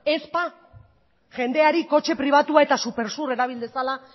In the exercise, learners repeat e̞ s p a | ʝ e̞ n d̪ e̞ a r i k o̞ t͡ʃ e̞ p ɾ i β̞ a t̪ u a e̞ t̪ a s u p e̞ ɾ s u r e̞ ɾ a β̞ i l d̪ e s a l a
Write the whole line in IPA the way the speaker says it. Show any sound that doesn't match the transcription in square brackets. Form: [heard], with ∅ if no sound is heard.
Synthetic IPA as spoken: e̞ s p a | ʝ e̞ n d̪ e̞ a [ɾ] i k o̞ t͡ʃ e̞ p ɾ i β̞ a t̪ u a e̞ t̪ a s u p e̞ ɾ s u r e̞ ɾ a β̞ i l d̪ e s a l a